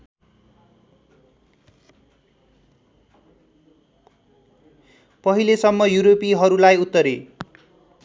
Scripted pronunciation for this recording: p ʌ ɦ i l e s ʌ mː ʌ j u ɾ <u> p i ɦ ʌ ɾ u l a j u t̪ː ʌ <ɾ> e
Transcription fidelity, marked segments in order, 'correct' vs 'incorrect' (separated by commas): incorrect, correct